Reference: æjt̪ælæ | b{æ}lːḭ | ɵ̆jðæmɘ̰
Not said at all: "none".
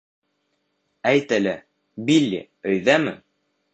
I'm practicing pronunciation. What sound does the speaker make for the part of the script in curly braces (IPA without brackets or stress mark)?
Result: i